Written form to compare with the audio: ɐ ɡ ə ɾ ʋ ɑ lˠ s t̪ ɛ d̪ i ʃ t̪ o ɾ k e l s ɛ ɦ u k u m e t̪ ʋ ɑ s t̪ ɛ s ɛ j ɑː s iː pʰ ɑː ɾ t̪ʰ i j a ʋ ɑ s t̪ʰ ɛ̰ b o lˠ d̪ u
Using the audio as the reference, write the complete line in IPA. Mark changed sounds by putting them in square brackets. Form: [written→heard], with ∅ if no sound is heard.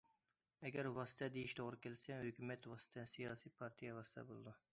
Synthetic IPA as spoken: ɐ ɡ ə ɾ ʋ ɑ [lˠ→∅] s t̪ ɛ d̪ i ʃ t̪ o ɾ k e l s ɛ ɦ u k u m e t̪ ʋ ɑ s t̪ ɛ s [ɛ→i] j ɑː s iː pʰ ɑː ɾ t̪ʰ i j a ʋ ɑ s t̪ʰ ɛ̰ b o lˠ d̪ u